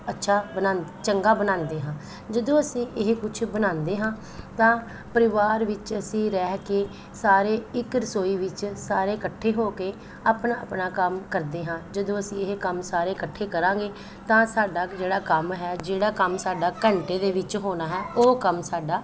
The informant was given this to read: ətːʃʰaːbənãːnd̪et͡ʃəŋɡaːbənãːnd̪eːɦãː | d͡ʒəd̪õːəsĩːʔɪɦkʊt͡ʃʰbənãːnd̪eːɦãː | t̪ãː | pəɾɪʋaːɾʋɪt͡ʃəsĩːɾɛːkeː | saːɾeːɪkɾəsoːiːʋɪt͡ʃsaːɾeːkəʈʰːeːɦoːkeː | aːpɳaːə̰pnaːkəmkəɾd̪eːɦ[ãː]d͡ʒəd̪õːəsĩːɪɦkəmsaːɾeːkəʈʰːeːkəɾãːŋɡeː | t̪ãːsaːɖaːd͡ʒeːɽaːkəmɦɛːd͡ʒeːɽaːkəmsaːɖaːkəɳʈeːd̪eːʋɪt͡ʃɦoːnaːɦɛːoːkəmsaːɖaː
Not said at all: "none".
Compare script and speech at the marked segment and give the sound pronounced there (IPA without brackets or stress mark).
ãː